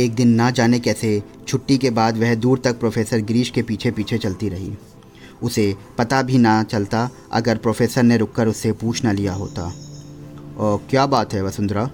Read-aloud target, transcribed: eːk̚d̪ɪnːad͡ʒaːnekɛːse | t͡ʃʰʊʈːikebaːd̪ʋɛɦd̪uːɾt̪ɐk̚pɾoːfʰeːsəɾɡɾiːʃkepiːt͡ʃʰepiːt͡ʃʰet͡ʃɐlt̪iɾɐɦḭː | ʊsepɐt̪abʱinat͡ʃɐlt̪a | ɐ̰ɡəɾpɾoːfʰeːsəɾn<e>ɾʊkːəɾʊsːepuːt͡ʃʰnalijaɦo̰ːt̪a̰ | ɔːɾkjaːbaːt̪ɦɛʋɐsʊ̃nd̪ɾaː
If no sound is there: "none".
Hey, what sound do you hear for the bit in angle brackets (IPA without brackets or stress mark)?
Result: e